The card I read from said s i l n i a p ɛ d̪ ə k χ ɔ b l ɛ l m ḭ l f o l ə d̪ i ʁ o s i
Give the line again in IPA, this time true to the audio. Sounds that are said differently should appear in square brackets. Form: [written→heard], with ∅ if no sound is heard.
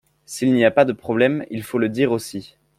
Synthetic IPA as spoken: s i l n i a p [ɛ→a] d̪ ə [k→p] χ ɔ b l ɛ [l→∅] m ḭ l f o l ə d̪ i ʁ o s i